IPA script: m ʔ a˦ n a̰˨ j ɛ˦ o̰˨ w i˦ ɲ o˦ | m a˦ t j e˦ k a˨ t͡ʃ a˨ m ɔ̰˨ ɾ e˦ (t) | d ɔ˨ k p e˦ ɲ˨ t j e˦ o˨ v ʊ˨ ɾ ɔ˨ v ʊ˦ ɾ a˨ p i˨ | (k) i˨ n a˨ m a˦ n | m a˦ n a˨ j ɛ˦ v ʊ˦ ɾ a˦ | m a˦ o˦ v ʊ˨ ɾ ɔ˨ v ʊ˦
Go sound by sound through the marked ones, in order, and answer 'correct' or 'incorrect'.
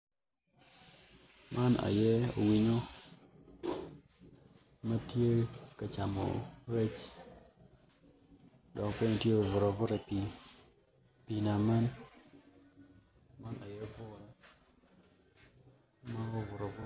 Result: incorrect, incorrect

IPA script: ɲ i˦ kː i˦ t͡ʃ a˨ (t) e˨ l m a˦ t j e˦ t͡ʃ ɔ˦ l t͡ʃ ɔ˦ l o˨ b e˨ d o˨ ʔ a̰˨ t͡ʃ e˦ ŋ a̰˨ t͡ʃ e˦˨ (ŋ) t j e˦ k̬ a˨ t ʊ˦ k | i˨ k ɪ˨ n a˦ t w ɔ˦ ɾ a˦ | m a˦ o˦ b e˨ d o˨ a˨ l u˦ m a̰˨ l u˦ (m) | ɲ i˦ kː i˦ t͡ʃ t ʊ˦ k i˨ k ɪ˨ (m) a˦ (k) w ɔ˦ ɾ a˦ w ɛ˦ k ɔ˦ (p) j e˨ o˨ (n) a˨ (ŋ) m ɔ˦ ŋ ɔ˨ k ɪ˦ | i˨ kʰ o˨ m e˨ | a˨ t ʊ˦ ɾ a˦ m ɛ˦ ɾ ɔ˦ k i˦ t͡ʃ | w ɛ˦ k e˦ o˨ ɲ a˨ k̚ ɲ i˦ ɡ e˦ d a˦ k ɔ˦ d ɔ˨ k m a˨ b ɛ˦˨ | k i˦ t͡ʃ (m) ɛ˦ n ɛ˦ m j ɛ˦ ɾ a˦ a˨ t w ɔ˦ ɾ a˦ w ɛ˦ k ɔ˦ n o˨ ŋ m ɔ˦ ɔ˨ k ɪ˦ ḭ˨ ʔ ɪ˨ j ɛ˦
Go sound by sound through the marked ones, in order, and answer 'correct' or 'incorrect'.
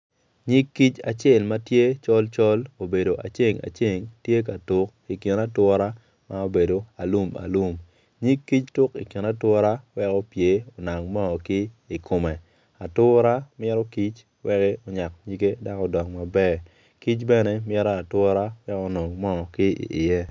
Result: incorrect, correct, correct, incorrect, incorrect, correct, correct, correct, incorrect

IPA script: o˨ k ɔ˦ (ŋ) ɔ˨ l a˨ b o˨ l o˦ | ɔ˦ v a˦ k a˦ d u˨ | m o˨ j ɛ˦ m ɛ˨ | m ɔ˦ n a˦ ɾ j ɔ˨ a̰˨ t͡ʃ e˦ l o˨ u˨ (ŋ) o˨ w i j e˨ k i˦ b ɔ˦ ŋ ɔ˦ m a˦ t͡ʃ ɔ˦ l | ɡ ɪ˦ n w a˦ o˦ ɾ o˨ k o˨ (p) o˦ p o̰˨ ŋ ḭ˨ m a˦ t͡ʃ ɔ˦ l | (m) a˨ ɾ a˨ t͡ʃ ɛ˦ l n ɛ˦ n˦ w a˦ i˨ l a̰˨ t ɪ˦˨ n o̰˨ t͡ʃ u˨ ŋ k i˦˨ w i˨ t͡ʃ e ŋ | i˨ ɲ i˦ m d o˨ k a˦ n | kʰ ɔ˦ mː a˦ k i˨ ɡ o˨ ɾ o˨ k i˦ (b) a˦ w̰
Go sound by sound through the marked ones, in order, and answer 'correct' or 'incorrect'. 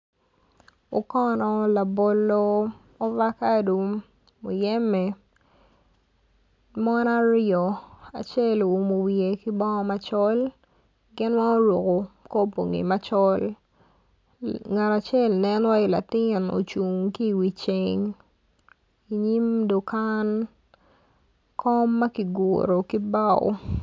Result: incorrect, incorrect, incorrect, incorrect, correct

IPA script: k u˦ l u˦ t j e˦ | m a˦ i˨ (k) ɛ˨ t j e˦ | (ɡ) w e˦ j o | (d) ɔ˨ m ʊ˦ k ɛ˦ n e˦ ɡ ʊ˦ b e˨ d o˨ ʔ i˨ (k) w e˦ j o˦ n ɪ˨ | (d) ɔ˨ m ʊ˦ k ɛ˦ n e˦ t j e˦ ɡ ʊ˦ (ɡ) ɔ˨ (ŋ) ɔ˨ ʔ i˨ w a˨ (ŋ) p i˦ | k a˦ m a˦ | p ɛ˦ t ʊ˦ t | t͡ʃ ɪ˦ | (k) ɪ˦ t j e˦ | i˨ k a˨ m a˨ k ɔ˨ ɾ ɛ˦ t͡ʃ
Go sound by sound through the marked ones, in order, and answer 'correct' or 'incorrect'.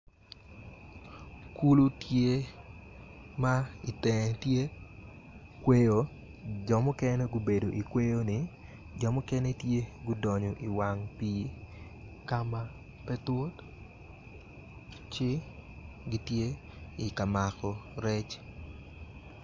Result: incorrect, incorrect, incorrect, correct, incorrect, incorrect, incorrect, correct, incorrect

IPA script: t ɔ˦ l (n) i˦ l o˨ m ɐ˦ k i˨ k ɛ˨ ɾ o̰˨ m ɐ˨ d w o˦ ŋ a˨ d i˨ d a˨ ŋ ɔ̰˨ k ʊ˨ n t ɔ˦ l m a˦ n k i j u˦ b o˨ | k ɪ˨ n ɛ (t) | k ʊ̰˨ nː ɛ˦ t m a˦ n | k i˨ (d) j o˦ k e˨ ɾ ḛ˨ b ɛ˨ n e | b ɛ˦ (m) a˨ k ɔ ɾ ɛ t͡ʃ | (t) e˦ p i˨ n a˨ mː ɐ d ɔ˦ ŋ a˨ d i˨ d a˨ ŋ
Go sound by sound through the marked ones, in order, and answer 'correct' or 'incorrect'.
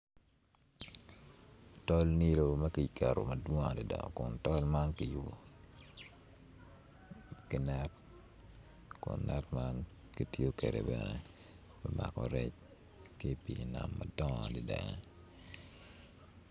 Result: correct, correct, incorrect, correct, incorrect

